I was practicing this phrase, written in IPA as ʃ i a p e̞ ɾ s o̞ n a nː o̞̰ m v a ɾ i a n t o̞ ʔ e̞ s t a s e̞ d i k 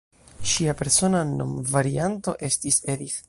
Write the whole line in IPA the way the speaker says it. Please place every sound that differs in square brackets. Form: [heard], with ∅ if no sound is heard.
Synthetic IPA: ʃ i a p e̞ ɾ s o̞ n a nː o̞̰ m v a ɾ i a n t o̞ ʔ e̞ s t [i] s e̞ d i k